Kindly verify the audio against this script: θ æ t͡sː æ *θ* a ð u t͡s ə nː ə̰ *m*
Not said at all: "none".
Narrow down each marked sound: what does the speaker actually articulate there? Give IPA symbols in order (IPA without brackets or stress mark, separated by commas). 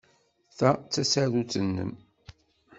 s, m